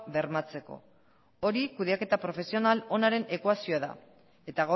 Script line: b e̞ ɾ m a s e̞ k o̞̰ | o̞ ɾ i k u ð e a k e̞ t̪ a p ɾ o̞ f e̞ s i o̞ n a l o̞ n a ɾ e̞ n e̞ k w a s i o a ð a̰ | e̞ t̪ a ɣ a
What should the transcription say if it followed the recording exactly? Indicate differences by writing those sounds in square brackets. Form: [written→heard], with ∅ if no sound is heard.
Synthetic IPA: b e̞ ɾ m a [s→t͡s] e̞ k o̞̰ | o̞ ɾ i k u ð e a k e̞ t̪ a p ɾ o̞ f e̞ s i o̞ n a l o̞ n a ɾ e̞ n e̞ k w a s i o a ð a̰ | e̞ t̪ a ɣ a